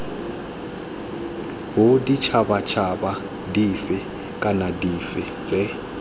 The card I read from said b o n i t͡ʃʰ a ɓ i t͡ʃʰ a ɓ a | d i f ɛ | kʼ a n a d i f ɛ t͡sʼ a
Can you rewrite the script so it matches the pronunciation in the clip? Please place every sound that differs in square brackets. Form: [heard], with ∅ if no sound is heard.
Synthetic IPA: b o [d] i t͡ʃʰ a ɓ [a] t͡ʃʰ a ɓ a | d i f ɛ | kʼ a n a d i f ɛ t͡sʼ [ɛ]